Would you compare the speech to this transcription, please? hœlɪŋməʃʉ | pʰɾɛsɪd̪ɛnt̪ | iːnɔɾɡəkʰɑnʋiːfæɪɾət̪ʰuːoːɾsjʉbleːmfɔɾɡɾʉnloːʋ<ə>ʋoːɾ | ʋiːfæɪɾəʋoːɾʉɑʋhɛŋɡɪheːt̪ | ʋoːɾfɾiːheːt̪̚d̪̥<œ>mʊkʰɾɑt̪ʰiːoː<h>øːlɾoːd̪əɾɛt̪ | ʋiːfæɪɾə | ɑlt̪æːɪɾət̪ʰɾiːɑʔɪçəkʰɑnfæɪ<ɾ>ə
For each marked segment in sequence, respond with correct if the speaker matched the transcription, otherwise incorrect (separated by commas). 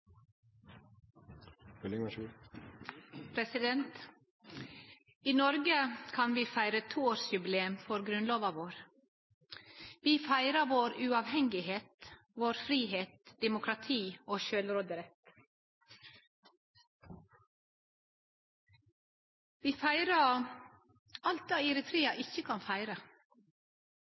incorrect, incorrect, incorrect, correct